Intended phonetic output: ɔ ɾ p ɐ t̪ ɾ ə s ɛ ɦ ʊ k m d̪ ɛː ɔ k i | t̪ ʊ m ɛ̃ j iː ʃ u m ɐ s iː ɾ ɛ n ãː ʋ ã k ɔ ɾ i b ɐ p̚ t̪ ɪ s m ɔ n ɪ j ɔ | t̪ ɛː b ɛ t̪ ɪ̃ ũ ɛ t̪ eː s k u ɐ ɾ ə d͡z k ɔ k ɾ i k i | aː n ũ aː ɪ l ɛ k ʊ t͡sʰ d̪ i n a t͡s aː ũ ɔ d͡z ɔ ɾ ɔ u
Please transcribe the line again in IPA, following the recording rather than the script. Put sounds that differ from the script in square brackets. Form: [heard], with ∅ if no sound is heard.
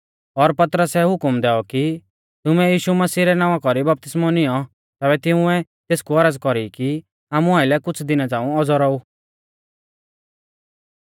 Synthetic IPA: ɔ ɾ p ɐ t̪ ɾ ə s ɛ ɦ ʊ k m d̪ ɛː ɔ k i | t̪ ʊ m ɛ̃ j iː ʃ u m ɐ s iː ɾ ɛ n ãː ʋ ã k ɔ ɾ i b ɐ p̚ t̪ ɪ s m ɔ n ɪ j ɔ | t̪ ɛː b ɛ t̪ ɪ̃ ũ ɛ t̪ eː s k u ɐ ɾ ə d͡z k ɔ [∅] ɾ i k i | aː [m] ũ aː ɪ l ɛ k ʊ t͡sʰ d̪ [ɪ] n a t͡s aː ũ ɔ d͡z ɔ ɾ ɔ u